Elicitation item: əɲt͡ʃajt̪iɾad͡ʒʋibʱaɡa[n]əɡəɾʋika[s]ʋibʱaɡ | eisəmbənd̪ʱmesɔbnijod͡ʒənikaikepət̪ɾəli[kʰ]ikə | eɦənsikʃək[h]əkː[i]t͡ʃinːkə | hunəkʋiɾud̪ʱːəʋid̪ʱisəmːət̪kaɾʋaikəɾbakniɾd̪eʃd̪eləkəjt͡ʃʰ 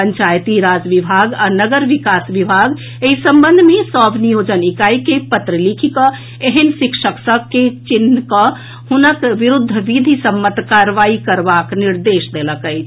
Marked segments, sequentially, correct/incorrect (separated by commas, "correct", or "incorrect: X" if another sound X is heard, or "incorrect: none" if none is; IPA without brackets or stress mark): correct, correct, correct, incorrect: s, incorrect: e